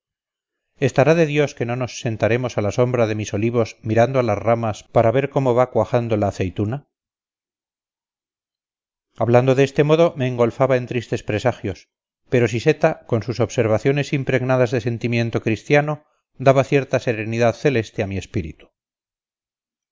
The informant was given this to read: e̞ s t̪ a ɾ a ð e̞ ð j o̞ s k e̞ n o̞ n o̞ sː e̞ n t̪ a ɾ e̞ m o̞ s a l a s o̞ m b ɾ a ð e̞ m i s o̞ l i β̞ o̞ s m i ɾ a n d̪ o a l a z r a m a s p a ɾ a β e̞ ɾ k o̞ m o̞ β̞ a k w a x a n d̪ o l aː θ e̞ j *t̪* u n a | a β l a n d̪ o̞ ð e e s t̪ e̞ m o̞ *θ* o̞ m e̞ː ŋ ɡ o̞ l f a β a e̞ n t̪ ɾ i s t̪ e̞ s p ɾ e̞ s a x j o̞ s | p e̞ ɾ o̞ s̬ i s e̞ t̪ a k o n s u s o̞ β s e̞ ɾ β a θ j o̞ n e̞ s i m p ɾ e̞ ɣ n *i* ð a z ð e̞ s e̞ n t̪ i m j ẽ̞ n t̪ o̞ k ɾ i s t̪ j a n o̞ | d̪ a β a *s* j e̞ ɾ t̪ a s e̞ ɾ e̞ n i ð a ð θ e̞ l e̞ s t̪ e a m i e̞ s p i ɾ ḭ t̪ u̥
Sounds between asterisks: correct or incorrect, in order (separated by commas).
correct, incorrect, incorrect, incorrect